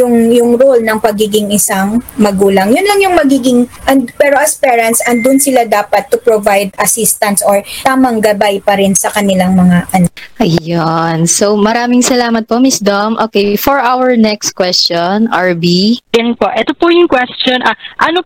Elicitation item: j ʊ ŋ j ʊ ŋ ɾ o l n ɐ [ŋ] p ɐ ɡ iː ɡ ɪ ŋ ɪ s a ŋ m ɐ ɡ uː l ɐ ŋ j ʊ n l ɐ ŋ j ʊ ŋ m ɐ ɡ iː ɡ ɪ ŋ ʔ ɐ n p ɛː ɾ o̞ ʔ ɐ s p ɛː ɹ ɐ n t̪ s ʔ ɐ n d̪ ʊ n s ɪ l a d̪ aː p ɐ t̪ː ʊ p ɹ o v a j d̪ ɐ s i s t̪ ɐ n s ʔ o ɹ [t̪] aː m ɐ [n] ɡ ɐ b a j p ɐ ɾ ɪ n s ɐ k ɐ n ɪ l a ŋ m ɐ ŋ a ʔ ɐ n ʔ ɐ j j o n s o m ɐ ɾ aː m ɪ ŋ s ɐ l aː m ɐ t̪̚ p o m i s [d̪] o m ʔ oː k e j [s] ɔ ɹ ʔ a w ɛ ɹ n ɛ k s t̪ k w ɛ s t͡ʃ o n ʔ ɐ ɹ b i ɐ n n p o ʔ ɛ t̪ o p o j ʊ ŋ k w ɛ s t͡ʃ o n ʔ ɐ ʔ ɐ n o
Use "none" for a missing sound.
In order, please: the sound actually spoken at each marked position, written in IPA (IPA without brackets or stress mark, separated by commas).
ŋ, t̪, ŋ, d̪, f